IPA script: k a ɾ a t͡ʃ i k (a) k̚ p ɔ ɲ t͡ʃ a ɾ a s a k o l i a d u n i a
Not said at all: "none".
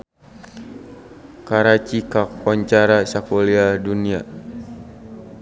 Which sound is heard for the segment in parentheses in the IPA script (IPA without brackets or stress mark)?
a